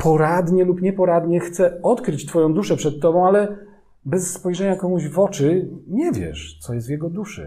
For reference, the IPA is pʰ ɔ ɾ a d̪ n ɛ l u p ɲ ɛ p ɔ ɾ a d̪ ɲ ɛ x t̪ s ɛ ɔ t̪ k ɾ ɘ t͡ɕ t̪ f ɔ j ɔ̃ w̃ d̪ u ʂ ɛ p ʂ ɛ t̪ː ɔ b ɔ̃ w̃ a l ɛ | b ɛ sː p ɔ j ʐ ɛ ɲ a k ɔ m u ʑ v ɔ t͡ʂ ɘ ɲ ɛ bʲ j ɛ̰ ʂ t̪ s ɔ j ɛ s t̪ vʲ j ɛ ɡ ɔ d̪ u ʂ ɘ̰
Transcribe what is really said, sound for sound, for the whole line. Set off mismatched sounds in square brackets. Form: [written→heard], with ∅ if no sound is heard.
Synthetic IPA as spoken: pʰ ɔ ɾ a d̪ [n→ɲ] ɛ l u p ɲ ɛ p ɔ ɾ a d̪ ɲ ɛ x t̪ s ɛ ɔ t̪ k ɾ ɘ t͡ɕ t̪ f ɔ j ɔ̃ w̃ d̪ u ʂ ɛ p ʂ ɛ t̪ː ɔ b ɔ̃ w̃ a l ɛ | b ɛ sː p ɔ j ʐ ɛ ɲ a k ɔ m u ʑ v ɔ t͡ʂ ɘ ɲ ɛ [bʲ→vʲ] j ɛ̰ ʂ t̪ s ɔ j ɛ s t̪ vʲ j ɛ ɡ ɔ d̪ u ʂ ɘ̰